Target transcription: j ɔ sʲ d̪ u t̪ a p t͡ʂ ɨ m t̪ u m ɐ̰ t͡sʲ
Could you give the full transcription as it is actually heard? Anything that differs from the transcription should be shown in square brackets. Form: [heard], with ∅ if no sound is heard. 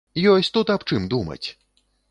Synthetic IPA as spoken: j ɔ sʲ [t̪] u t̪ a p t͡ʂ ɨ m [d̪] u m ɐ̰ t͡sʲ

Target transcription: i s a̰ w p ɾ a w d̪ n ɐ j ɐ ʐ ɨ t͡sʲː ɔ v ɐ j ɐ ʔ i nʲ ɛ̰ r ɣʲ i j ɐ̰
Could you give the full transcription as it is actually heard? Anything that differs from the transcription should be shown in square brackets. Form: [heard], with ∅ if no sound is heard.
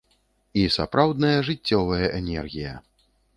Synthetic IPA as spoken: i s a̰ [∅] p ɾ a w d̪ n ɐ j ɐ ʐ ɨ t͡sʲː ɔ v ɐ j ɐ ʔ [ɛ] nʲ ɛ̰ r ɣʲ i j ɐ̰

